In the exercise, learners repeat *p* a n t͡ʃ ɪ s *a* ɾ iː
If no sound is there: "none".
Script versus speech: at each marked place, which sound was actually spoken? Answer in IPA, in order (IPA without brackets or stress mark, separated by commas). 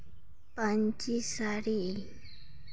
p, a